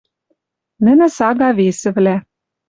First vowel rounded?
no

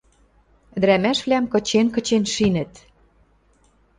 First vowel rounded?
no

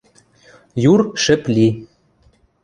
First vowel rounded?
yes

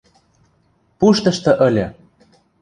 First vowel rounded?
yes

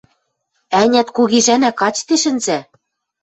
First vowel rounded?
no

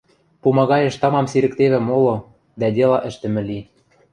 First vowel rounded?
yes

